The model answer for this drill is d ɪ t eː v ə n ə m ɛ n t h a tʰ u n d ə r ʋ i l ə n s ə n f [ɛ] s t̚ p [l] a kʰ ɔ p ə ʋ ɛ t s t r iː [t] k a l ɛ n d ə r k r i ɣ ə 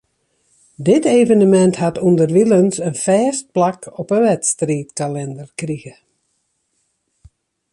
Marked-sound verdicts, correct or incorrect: incorrect: ɛː, correct, correct

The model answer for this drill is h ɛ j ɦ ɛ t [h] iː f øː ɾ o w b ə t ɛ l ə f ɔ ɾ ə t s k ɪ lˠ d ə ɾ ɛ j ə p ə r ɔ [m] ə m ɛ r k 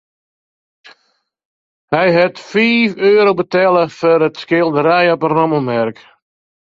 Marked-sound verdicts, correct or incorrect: incorrect: f, correct

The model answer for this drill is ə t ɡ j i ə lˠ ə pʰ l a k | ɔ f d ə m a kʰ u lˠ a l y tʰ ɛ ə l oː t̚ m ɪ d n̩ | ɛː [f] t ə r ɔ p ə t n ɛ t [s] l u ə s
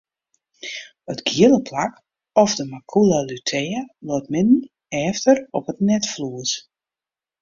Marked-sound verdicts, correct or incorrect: correct, incorrect: f

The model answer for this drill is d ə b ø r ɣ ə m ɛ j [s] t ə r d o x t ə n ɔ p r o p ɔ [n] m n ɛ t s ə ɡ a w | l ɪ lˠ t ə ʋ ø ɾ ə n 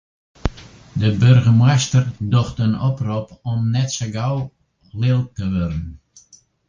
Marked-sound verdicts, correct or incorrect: correct, incorrect: none

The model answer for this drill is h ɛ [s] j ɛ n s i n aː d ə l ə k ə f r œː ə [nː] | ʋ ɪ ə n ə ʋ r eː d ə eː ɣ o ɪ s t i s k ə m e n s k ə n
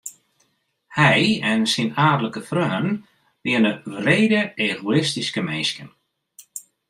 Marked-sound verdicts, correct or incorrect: incorrect: none, incorrect: n

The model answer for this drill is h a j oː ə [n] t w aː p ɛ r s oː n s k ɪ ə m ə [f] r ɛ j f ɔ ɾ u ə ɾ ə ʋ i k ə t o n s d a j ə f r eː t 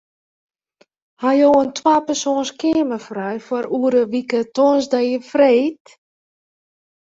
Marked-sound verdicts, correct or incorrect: correct, correct

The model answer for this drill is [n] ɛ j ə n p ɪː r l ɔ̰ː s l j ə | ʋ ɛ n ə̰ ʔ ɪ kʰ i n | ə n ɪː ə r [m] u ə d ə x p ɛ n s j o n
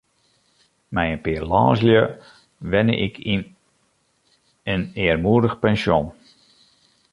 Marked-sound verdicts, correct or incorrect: incorrect: m, correct

